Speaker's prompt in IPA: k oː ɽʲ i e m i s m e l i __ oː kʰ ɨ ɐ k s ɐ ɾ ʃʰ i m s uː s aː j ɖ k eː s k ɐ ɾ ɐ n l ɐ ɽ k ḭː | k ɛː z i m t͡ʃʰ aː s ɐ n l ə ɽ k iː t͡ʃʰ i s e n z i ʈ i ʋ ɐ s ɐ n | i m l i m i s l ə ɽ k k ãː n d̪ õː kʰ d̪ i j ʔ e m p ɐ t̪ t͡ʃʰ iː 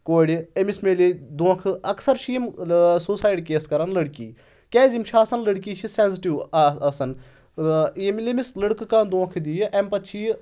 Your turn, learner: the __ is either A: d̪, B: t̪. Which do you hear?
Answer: A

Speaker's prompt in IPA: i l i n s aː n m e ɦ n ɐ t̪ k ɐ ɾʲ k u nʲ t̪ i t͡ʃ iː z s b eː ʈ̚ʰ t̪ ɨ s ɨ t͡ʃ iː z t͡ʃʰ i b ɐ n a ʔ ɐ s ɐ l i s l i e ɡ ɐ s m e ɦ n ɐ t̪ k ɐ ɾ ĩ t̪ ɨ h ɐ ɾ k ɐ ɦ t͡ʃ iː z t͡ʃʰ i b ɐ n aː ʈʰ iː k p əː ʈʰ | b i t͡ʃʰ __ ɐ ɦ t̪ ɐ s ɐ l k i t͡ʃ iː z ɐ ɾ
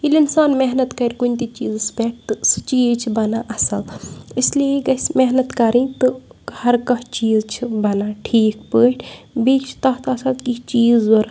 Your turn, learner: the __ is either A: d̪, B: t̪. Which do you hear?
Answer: B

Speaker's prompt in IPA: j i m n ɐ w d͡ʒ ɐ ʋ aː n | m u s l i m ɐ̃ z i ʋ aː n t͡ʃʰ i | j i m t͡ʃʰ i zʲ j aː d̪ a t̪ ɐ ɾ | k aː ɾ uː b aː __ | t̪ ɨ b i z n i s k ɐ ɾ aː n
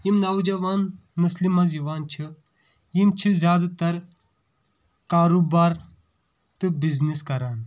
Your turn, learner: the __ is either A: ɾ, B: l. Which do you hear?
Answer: A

